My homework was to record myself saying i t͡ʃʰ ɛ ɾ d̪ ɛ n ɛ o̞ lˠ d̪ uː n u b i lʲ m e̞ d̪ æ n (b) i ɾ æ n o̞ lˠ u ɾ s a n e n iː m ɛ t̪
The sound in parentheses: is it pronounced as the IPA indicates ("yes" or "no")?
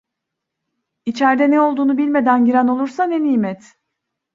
no